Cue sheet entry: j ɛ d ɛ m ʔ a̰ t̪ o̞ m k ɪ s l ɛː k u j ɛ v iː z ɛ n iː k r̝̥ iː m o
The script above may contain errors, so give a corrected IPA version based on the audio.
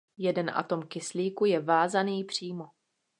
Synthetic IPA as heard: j ɛ d ɛ n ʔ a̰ t̪ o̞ m k ɪ s l iː k u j ɛ v aː z a n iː p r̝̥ iː m o

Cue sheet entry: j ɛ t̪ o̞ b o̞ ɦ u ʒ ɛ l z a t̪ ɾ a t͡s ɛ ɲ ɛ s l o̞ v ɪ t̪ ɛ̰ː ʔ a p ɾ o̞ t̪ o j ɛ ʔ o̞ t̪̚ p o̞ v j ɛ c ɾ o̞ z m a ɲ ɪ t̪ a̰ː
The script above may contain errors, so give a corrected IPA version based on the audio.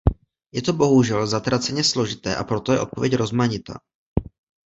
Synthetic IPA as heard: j ɛ t̪ o̞ b o̞ ɦ u ʒ ɛ l z a t̪ ɾ a t͡s ɛ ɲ ɛ s l o̞ ʒ ɪ t̪ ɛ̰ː ʔ a p ɾ o̞ t̪ o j ɛ ʔ o̞ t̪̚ p o̞ v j ɛ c ɾ o̞ z m a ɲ ɪ t̪ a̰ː

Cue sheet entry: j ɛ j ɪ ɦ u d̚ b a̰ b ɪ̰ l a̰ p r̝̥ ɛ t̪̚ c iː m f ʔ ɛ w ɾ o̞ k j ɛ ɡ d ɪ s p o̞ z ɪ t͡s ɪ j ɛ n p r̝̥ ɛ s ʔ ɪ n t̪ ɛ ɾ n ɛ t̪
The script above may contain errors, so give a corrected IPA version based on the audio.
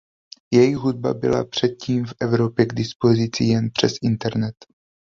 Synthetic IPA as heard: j ɛ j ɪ ɦ u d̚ b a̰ b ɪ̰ l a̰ p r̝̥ ɛ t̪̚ c iː m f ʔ ɛ v ɾ o̞ p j ɛ ɡ d ɪ s p o̞ z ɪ t͡s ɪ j ɛ n p r̝̥ ɛ s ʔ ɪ n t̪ ɛ ɾ n ɛ t̪

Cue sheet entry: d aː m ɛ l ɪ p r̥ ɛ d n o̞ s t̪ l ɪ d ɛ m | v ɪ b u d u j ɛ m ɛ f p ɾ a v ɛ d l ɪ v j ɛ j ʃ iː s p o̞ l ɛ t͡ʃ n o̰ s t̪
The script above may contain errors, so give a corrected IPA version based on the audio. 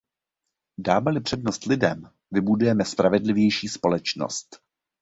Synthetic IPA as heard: d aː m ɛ l ɪ p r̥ ɛ d n o̞ s t̪ l ɪ d ɛ m | v ɪ b u d u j ɛ m ɛ s p ɾ a v ɛ d l ɪ v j ɛ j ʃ iː s p o̞ l ɛ t͡ʃ n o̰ s t̪

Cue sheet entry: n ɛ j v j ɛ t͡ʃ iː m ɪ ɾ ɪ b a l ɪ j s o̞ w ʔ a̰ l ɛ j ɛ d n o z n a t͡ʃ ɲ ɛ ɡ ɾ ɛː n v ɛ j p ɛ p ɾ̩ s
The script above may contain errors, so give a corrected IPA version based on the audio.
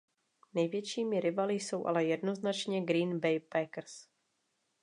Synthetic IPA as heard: n ɛ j v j ɛ t͡ʃ iː m ɪ ɾ ɪ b a l ɪ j s o̞ w ʔ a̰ l ɛ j ɛ d n o z n a t͡ʃ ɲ ɛ ɡ ɾ iː n b ɛ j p ɛ k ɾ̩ s

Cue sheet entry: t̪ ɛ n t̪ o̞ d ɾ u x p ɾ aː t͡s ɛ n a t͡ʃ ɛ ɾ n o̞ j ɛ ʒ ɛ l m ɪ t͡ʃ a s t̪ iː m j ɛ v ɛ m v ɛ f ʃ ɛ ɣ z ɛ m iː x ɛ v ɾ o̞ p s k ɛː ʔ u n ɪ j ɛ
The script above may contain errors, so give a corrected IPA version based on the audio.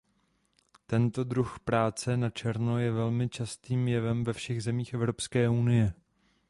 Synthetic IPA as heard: t̪ ɛ n t̪ o̞ d ɾ u x p ɾ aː t͡s ɛ n a t͡ʃ ɛ ɾ n o̞ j ɛ v ɛ l m ɪ t͡ʃ a s t̪ iː m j ɛ v ɛ m v ɛ f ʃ ɛ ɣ z ɛ m iː x ɛ v ɾ o̞ p s k ɛː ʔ u n ɪ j ɛ

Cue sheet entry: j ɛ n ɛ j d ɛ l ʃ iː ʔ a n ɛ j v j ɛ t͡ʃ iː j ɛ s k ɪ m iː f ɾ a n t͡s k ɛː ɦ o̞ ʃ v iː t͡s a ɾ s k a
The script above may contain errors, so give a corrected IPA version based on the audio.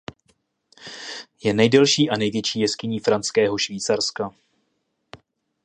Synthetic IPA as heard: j ɛ n ɛ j d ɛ l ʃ iː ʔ a n ɛ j v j ɛ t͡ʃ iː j ɛ s k ɪ ɲ iː f ɾ a n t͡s k ɛː ɦ o̞ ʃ v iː t͡s a ɾ s k a

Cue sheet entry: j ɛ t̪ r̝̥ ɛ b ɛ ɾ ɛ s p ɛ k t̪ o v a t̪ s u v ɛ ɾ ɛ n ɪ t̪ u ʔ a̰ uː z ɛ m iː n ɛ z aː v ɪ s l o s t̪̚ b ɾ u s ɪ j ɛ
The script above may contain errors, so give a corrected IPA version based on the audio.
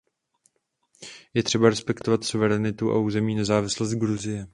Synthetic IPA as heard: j ɛ t̪ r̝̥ ɛ b a ɾ ɛ s p ɛ k t̪ o v a t̪ s u v ɛ ɾ ɛ n ɪ t̪ u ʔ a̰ uː z ɛ m iː n ɛ z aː v ɪ s l o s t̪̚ ɡ ɾ u z ɪ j ɛ

